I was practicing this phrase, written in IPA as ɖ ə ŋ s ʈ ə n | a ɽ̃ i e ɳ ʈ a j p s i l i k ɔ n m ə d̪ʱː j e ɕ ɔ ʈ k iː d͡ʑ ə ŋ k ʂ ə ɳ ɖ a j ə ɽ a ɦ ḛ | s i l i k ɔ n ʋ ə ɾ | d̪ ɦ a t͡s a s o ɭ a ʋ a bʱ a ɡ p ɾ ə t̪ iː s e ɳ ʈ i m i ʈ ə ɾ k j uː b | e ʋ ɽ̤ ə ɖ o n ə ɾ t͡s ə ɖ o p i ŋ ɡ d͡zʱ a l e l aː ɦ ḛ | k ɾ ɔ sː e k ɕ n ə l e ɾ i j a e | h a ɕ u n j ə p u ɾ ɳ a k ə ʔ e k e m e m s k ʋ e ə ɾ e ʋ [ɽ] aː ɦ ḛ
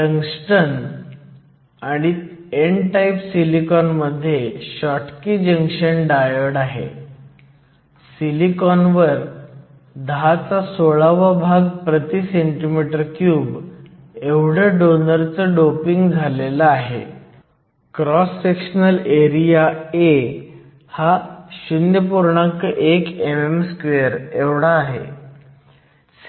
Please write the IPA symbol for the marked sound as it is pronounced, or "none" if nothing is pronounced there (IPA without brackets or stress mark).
ɽ